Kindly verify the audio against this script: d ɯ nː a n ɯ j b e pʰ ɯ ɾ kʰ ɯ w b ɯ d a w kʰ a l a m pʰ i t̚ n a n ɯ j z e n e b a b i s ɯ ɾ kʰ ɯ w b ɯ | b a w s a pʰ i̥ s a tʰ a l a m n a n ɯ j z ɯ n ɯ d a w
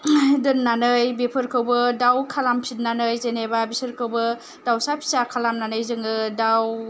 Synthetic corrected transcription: d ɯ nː a n ɯ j b e pʰ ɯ ɾ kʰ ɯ w b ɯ d a w kʰ a l a m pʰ i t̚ n a n ɯ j z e n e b a b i s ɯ ɾ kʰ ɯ w b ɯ | d a w s a pʰ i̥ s a kʰ a l a m n a n ɯ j z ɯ ŋ ɯ d a w